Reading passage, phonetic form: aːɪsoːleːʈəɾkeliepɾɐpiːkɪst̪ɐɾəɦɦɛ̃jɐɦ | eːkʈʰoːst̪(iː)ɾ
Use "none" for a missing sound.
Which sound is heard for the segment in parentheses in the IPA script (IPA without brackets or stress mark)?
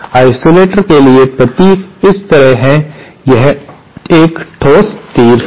iː